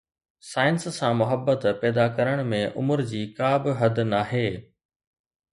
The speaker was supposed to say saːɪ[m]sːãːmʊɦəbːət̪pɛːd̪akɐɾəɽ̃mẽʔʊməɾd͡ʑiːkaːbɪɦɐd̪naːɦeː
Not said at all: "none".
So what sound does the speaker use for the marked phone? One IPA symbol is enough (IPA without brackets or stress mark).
n